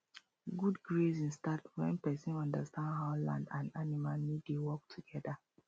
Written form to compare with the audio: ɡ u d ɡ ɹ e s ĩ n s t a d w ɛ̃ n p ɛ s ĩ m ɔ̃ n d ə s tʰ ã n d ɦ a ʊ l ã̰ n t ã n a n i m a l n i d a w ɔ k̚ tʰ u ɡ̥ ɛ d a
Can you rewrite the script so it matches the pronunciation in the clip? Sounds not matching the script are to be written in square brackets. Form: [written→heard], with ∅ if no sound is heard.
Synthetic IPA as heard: ɡ u d ɡ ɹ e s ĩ n s t a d w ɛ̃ n p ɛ s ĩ [m→n] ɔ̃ n d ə s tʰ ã n d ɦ a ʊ l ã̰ n [t→d] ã n a n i m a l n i d [a→e] w ɔ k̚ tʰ u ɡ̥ ɛ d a